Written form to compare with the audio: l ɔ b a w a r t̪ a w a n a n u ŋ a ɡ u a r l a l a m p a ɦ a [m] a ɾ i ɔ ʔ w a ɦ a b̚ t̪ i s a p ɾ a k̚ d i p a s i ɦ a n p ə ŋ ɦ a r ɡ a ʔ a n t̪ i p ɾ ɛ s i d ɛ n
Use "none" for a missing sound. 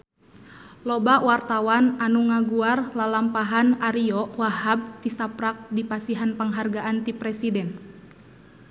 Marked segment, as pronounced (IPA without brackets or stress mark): n